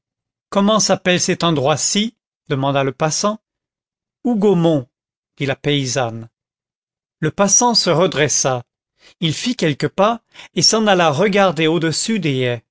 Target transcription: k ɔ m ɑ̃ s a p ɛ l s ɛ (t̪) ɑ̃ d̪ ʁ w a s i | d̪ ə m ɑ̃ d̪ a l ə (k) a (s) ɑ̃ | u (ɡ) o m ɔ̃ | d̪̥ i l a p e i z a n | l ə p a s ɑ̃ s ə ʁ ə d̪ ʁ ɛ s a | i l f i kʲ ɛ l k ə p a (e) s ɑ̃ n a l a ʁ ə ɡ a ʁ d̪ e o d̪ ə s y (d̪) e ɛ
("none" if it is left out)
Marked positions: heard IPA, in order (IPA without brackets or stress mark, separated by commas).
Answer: t̪, p, s, ɡ, e, d̪